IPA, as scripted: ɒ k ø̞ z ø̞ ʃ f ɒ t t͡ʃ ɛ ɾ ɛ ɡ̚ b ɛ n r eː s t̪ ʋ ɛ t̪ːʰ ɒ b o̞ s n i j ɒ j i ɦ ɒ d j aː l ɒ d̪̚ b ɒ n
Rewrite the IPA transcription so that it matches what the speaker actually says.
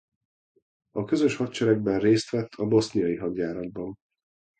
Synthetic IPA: ɒ k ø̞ z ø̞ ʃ h ɒ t t͡ʃ ɛ ɾ ɛ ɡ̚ b ɛ n r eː s t̪ ʋ ɛ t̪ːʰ ɒ b o̞ s n i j ɒ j i ɦ ɒ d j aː ɾ ɒ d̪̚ b ɒ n